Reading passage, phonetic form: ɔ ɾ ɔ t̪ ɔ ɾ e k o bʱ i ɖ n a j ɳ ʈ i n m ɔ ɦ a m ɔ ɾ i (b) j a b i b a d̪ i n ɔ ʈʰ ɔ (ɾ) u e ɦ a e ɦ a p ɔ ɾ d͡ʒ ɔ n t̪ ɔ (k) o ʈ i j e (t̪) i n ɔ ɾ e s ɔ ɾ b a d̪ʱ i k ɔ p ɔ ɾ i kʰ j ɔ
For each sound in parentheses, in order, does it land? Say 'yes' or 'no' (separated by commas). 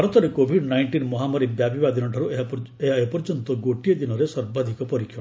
yes, yes, no, no